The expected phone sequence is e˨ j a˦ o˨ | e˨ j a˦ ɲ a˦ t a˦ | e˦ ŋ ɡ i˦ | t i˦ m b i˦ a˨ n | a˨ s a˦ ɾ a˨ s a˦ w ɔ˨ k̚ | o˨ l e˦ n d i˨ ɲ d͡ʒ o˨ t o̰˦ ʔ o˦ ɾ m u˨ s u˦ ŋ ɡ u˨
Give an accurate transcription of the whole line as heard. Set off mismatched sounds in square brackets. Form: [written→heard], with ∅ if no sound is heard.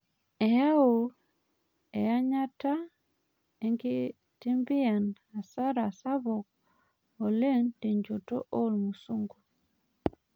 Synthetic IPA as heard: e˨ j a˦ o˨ | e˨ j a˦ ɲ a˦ t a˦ | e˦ ŋ ɡ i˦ | t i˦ m b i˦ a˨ n | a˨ s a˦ ɾ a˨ s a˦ [w→β] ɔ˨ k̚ | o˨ l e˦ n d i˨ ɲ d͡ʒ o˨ t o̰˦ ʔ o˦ [ɾ→l] m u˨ s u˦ ŋ ɡ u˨